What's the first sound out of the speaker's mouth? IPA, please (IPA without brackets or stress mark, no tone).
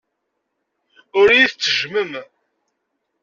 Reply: ʊ